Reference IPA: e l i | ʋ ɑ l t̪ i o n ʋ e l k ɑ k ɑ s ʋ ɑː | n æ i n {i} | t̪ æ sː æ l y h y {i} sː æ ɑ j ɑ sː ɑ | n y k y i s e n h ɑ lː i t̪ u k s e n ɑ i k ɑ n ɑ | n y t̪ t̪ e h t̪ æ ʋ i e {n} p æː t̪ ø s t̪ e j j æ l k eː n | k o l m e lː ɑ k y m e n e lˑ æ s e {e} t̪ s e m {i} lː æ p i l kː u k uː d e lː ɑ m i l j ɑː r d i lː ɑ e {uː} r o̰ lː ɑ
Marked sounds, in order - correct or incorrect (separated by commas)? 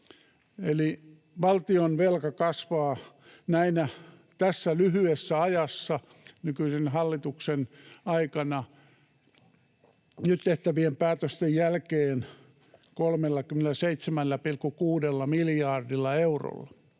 incorrect, incorrect, incorrect, incorrect, incorrect, incorrect